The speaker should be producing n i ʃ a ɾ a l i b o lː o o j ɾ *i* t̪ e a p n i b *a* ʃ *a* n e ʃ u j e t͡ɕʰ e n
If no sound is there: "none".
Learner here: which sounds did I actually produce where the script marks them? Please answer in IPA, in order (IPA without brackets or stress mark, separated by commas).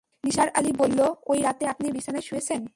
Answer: a, i, a